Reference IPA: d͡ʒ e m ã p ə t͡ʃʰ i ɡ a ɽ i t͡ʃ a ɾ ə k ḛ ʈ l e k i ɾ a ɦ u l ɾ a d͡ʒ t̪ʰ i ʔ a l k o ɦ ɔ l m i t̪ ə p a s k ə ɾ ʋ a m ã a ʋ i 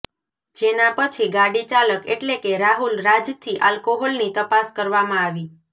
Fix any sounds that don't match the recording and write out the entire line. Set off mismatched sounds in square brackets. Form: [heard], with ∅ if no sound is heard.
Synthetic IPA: d͡ʒ e [n] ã p ə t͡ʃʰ i ɡ a ɽ i t͡ʃ a [l] ə k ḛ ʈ l e k [e] ɾ a ɦ u l ɾ a d͡ʒ t̪ʰ i ʔ a l k o ɦ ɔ l [n] i t̪ ə p a s k ə ɾ ʋ a m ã a ʋ i